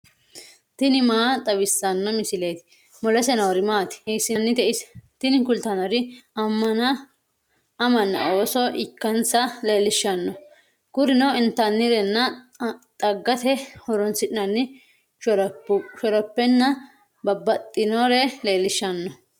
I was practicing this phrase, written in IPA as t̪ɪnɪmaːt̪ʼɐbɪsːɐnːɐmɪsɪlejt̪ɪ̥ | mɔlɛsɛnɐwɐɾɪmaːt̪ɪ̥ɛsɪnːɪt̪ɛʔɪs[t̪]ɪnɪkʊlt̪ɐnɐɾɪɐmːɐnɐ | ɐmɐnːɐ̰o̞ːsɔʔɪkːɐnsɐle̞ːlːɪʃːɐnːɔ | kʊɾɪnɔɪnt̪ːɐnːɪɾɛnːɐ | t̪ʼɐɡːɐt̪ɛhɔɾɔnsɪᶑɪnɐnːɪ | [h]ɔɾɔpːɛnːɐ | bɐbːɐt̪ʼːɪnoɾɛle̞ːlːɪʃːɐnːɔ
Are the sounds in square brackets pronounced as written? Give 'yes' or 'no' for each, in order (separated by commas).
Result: yes, no